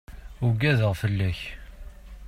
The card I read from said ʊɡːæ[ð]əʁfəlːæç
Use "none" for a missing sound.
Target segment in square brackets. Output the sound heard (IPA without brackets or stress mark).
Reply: ð